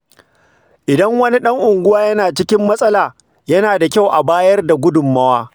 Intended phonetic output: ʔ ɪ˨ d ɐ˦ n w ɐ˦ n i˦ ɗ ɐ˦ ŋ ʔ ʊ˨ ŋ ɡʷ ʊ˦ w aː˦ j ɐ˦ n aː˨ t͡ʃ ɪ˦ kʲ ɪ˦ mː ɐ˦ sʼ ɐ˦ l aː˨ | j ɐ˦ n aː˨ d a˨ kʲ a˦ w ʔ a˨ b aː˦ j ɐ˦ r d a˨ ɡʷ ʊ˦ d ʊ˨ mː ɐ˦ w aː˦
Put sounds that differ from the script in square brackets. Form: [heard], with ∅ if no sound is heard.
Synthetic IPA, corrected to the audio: ʔ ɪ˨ d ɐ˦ [ŋ] w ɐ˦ n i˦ ɗ ɐ˦ ŋ ʔ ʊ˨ ŋ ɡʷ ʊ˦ w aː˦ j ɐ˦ n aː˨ t͡ʃ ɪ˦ kʲ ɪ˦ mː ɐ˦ sʼ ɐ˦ l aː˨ | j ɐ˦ n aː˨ d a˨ kʲ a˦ w ʔ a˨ b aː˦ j ɐ˦ r d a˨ ɡʷ ʊ˦ d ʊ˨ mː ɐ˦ w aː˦